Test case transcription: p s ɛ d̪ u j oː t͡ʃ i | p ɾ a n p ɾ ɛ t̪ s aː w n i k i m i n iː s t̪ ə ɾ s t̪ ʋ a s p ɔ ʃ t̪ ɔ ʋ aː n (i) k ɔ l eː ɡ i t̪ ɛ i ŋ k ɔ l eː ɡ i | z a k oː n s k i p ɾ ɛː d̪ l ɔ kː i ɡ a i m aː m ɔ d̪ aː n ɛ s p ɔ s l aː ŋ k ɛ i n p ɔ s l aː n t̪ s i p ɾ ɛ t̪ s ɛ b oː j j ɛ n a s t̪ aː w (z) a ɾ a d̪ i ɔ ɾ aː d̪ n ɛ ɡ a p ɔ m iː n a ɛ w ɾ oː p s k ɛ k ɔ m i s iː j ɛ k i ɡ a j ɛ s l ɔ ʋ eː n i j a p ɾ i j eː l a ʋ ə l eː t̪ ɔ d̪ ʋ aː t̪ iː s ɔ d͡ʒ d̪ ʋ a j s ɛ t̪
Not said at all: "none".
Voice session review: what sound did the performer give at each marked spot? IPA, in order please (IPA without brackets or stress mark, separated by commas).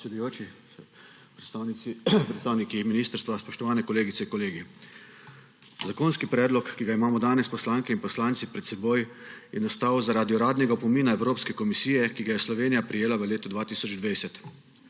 ɛ, z